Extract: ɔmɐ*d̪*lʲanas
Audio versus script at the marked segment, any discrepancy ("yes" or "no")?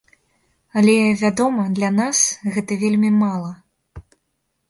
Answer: no